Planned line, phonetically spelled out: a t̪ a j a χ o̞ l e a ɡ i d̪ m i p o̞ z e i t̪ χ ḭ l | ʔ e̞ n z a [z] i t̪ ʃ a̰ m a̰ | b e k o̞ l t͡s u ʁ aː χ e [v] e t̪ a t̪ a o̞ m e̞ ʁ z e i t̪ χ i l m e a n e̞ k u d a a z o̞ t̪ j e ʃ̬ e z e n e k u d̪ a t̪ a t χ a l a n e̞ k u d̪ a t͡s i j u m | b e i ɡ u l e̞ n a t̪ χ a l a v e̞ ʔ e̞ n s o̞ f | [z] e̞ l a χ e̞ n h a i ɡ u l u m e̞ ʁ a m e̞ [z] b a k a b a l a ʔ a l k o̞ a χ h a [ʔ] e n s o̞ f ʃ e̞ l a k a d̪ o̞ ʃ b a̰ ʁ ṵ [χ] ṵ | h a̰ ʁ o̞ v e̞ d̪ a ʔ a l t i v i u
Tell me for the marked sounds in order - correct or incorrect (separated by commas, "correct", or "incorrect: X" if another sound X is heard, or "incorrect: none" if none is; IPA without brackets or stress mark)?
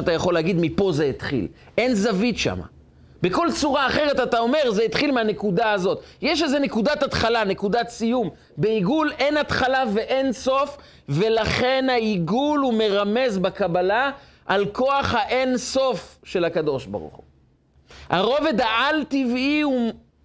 incorrect: v, incorrect: ʁ, incorrect: v, correct, correct, correct